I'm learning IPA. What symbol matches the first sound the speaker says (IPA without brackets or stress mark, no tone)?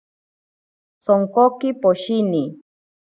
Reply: s